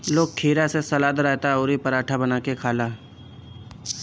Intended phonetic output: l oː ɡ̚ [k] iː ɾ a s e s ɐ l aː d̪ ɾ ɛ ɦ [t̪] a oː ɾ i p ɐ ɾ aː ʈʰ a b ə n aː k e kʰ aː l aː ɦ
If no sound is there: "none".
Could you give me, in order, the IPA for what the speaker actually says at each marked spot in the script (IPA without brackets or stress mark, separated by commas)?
kʰ, t̪